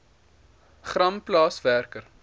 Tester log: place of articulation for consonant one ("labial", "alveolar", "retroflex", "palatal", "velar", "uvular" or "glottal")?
uvular